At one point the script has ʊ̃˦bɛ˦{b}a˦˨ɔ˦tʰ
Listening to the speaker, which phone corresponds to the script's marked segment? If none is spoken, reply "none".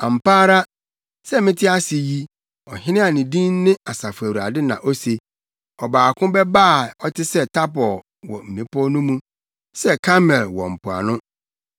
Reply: b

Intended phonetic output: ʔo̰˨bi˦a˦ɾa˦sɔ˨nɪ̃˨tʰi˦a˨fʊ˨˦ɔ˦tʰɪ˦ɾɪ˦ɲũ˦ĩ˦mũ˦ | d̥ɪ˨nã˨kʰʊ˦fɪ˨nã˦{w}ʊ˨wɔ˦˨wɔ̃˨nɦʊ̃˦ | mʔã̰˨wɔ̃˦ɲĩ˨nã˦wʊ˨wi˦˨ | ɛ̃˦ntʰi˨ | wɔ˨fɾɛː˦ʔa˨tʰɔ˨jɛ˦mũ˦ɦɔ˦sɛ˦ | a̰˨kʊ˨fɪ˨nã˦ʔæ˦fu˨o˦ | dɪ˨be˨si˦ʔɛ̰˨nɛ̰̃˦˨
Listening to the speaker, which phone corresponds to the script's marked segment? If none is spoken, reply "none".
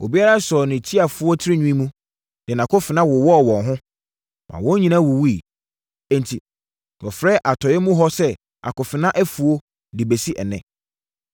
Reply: w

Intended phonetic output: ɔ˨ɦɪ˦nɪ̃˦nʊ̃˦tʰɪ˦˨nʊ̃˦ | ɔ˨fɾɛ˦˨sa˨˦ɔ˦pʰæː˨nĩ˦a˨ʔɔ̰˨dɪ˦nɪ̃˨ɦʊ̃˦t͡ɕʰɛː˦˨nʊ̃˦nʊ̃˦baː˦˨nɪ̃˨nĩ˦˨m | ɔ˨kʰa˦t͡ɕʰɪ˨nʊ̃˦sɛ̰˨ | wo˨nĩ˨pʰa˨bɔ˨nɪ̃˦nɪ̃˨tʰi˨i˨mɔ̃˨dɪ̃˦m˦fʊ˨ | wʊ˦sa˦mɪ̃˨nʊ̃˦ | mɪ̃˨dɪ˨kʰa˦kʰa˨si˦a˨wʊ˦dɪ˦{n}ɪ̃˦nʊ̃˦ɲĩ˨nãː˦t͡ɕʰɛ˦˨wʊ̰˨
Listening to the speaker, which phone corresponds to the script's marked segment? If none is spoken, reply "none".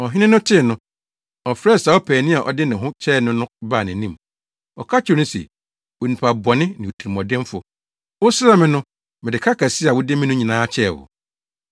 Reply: m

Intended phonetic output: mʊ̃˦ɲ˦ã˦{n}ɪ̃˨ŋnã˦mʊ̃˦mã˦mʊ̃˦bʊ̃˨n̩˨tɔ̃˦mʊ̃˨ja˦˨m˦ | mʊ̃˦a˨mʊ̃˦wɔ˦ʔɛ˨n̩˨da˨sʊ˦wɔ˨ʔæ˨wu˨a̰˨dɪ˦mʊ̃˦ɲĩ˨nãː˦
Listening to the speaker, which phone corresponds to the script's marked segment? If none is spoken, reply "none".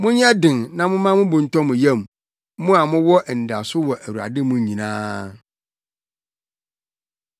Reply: d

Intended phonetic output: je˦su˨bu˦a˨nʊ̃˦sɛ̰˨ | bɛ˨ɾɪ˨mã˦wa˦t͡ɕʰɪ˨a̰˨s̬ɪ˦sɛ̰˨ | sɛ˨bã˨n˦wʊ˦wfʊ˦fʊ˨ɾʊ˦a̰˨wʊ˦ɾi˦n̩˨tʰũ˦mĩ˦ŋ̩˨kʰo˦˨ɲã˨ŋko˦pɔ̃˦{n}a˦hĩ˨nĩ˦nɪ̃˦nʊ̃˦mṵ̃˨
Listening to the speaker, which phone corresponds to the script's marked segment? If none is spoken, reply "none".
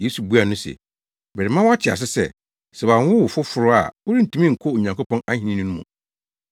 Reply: n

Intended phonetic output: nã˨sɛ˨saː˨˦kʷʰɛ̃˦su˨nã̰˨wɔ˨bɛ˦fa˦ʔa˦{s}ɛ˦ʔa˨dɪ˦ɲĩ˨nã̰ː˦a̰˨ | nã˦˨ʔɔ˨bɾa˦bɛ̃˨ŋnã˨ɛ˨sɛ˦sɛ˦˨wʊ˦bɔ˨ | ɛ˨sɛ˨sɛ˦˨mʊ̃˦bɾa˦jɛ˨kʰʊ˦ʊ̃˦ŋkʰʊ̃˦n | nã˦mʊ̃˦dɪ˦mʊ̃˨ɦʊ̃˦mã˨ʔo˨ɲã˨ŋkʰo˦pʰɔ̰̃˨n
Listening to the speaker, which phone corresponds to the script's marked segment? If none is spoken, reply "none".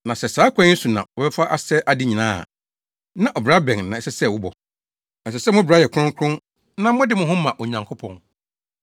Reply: s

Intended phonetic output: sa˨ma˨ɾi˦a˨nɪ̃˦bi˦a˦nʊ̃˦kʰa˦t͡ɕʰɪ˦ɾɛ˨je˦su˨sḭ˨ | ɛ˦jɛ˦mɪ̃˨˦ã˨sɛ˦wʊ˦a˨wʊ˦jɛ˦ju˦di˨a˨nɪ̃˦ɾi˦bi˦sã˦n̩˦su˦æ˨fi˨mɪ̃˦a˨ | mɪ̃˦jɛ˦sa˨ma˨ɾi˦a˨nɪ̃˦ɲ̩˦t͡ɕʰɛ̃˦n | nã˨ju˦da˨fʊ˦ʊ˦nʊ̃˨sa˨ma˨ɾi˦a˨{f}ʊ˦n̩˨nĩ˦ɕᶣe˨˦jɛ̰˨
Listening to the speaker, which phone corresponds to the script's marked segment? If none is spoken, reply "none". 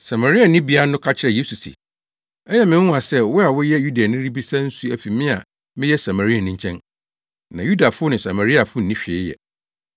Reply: f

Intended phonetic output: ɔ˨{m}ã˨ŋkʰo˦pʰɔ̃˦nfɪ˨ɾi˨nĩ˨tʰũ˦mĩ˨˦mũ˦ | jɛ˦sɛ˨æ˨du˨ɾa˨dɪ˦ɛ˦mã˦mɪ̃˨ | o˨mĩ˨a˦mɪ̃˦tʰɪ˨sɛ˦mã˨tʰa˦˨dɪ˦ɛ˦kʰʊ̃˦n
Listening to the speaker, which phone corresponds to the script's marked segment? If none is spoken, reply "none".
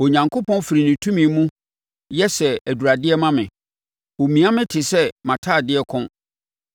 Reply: ɲ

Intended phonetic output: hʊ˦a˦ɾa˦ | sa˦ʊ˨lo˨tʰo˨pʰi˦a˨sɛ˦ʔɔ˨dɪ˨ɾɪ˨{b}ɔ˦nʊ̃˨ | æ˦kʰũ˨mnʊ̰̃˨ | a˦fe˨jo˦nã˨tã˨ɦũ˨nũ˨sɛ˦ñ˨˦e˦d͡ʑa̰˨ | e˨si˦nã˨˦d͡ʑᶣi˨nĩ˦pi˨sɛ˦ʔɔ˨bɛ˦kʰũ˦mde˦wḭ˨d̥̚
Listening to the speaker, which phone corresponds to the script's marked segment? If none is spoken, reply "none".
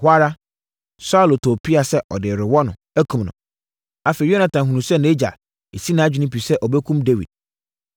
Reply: w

